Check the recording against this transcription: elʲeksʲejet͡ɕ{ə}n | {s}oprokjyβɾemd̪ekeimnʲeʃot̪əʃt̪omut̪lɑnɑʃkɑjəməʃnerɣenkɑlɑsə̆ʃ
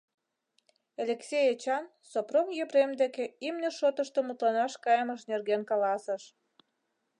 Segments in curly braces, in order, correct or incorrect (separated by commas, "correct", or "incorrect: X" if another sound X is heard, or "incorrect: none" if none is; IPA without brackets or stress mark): incorrect: ɑ, correct